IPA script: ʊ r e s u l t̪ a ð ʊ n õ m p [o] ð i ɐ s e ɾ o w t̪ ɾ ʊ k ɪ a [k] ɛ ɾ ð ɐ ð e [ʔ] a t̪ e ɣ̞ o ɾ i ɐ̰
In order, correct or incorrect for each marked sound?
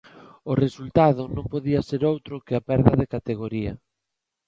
correct, incorrect, incorrect

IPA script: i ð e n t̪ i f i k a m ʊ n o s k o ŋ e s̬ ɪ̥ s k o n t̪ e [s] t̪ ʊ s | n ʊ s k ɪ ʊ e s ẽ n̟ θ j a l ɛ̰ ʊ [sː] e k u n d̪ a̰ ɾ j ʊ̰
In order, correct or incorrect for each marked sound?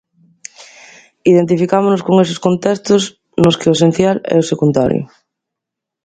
correct, incorrect

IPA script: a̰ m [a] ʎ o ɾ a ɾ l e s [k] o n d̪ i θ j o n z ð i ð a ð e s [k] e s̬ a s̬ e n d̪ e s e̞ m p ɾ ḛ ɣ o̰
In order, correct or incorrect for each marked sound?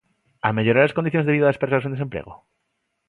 incorrect, correct, incorrect

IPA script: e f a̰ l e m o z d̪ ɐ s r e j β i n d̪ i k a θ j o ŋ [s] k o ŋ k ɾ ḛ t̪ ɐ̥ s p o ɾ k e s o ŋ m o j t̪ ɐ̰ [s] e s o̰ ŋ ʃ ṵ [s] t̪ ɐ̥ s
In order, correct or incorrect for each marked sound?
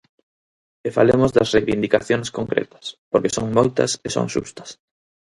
correct, correct, correct

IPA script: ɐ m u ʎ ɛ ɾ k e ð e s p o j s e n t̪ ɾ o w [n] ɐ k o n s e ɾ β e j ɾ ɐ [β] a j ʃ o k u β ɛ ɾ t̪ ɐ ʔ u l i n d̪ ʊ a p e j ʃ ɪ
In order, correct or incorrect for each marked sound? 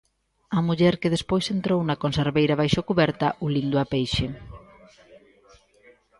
correct, correct

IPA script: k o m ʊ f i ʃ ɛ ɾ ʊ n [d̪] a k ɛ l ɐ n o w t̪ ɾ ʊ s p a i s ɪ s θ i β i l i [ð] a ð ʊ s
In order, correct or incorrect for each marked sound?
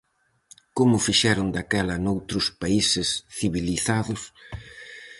correct, incorrect

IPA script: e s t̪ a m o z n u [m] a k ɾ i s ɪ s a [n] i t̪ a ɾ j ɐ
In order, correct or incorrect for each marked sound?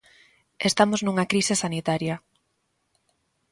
incorrect, correct

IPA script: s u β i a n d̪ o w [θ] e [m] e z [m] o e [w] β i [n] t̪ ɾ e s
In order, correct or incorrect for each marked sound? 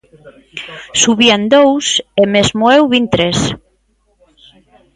incorrect, correct, correct, correct, correct

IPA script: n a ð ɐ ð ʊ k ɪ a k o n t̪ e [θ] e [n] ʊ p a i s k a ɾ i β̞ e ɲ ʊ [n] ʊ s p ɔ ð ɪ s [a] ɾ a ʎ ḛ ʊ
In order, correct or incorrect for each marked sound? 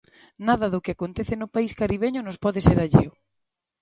correct, correct, correct, incorrect

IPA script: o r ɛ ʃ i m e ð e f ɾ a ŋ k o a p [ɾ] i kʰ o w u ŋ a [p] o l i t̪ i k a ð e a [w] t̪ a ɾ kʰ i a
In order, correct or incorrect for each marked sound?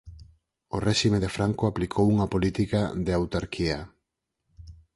incorrect, correct, correct

